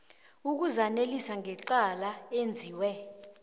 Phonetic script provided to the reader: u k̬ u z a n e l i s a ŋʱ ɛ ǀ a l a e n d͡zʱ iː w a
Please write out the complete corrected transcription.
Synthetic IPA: u k̬ u z a n e l i s a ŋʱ ɛ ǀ a l a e n d͡zʱ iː w ɛ